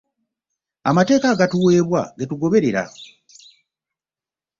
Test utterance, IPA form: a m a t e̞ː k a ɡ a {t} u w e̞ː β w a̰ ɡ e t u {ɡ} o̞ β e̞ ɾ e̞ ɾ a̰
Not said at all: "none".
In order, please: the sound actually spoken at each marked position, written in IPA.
t, ɡ

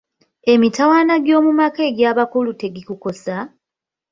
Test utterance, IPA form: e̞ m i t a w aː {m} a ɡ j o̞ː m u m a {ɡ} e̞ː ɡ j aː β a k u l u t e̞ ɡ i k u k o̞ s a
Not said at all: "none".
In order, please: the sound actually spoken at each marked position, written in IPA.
n, k

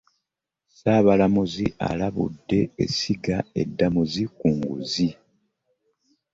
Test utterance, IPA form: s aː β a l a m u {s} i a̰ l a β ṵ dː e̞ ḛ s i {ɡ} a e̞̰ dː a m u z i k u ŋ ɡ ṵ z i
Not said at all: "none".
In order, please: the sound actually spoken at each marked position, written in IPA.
z, ɡ

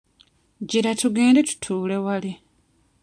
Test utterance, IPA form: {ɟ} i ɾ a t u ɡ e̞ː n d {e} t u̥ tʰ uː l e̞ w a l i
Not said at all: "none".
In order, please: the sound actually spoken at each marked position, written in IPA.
ɟ, e

